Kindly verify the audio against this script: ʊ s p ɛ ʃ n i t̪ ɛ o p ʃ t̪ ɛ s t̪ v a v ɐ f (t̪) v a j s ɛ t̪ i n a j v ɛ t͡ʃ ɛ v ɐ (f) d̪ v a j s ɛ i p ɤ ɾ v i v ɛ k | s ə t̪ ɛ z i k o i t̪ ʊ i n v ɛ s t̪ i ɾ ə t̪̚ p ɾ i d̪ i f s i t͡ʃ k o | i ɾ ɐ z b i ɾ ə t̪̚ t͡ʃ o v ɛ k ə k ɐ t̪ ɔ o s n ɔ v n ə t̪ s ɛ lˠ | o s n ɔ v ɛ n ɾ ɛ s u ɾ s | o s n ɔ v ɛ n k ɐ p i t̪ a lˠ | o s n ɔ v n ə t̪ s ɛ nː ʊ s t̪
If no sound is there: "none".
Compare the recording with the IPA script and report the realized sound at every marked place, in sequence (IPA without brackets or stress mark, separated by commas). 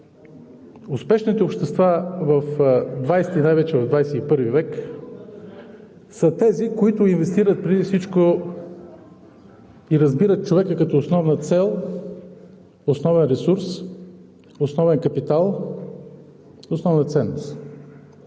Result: d̪, v